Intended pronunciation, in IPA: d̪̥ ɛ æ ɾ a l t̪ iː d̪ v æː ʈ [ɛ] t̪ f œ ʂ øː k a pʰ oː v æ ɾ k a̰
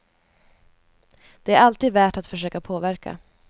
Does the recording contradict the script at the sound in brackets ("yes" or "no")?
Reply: yes